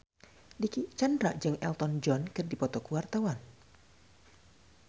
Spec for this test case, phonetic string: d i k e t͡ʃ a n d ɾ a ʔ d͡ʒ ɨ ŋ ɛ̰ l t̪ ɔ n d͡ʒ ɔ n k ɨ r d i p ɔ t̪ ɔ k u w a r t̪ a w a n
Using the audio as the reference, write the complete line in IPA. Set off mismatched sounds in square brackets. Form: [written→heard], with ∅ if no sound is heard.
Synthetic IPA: d i k [e→i] t͡ʃ a n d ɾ a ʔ d͡ʒ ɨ ŋ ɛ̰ l t̪ ɔ n d͡ʒ ɔ n k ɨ r d i p ɔ t̪ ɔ k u w a r t̪ a w a n